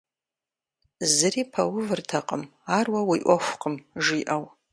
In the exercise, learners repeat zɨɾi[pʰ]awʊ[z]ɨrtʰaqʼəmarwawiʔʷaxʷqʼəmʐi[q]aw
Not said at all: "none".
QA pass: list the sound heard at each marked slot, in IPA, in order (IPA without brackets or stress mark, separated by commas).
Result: pʰ, v, ʔ